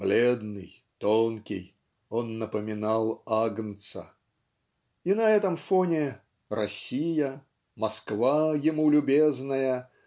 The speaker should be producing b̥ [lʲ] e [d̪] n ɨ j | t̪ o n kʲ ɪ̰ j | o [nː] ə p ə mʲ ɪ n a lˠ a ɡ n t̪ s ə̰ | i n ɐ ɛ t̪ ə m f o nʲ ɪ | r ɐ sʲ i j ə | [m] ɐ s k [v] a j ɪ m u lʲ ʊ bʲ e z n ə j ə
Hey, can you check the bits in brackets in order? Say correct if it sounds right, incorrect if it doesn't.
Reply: correct, correct, correct, correct, correct

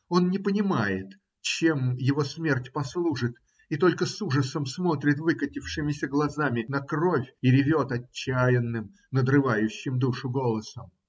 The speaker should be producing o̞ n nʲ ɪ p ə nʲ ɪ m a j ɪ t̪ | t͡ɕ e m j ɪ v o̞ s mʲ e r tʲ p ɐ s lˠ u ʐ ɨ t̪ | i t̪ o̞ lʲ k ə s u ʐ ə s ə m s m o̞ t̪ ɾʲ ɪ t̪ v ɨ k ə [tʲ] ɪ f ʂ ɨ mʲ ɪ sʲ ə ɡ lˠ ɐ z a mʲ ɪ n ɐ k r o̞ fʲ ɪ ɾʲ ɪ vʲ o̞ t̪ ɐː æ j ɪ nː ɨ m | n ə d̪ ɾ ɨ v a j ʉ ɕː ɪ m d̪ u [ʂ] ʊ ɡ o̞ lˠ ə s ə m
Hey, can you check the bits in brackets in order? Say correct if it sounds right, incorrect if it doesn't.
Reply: correct, correct

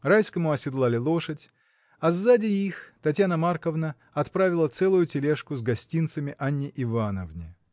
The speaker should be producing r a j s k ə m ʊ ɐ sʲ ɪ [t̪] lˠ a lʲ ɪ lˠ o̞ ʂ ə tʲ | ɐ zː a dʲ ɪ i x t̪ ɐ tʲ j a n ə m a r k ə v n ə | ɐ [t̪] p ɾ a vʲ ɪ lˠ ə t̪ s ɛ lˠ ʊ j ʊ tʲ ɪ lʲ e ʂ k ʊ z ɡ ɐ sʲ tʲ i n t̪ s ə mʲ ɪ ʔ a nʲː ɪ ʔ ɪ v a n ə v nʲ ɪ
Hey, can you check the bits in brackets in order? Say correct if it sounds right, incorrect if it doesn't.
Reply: incorrect: d̪, correct

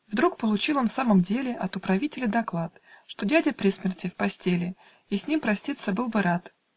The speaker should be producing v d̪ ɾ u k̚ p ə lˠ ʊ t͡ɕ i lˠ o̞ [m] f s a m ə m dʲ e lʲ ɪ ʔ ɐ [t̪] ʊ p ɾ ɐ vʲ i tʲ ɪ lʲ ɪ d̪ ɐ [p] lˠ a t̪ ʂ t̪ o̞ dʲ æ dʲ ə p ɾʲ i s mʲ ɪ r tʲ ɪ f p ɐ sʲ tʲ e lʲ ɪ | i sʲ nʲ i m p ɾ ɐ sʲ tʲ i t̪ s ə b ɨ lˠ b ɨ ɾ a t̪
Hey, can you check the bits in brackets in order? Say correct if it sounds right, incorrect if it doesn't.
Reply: incorrect: n, correct, incorrect: k

